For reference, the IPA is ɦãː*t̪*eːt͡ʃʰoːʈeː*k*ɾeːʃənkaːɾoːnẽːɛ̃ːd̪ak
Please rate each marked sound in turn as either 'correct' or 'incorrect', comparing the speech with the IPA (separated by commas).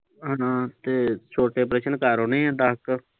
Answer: correct, incorrect